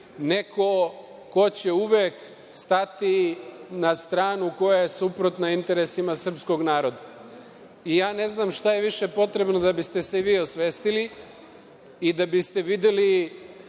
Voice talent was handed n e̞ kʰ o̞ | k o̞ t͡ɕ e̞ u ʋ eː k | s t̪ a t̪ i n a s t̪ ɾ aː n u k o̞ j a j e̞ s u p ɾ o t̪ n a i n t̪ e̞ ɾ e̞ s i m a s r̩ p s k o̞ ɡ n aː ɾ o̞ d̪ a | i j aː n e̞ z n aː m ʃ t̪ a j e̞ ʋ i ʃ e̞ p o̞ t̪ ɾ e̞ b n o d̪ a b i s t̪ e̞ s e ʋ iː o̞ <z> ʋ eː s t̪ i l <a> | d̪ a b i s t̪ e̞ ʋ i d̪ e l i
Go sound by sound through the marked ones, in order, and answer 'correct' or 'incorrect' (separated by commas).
incorrect, incorrect